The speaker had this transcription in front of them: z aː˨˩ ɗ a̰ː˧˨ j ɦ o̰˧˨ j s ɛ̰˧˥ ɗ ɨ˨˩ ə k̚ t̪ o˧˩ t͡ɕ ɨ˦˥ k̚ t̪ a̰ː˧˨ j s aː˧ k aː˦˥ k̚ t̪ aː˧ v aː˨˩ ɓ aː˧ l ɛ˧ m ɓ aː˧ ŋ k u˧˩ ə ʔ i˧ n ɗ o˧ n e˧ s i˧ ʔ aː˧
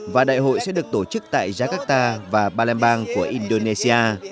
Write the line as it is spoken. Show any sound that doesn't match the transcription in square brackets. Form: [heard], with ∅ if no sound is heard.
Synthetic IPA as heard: [v] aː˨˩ ɗ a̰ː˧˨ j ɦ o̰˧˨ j s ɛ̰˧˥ ɗ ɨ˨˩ ə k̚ t̪ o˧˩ t͡ɕ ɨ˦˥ k̚ t̪ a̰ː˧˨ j [z] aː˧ k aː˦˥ k̚ t̪ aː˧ v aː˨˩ ɓ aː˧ l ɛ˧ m ɓ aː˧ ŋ k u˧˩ ə ʔ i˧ n ɗ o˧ n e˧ s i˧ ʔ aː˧

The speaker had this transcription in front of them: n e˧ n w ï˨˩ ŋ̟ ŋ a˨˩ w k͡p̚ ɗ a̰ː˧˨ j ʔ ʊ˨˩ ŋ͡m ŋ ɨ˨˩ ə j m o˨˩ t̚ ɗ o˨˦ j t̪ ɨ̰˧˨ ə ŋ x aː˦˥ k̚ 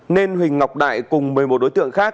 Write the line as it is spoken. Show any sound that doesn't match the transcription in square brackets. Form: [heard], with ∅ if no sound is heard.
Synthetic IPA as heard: n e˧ n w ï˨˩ ŋ̟ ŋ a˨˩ w k͡p̚ ɗ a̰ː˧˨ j [k] ʊ˨˩ ŋ͡m [m] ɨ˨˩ ə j m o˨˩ t̚ ɗ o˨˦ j t̪ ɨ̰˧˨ ə ŋ x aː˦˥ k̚

